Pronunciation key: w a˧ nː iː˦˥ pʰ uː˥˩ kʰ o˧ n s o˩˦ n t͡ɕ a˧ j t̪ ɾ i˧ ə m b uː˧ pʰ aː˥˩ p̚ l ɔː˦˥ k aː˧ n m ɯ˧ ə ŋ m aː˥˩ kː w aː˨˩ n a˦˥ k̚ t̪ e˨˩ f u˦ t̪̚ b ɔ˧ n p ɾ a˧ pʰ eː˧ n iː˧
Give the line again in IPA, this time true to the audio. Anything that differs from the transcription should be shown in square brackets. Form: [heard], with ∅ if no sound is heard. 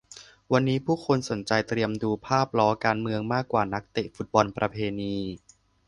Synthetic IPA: w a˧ nː iː˦˥ pʰ uː˥˩ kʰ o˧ n s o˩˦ n t͡ɕ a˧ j t̪ ɾ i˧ ə m [d] uː˧ pʰ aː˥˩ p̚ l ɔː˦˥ k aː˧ n m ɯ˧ ə ŋ m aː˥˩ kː w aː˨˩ n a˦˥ k̚ t̪ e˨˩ f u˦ t̪̚ b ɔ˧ n p ɾ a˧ pʰ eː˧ n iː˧